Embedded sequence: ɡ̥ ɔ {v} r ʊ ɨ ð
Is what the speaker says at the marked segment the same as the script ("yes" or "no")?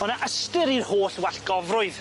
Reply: yes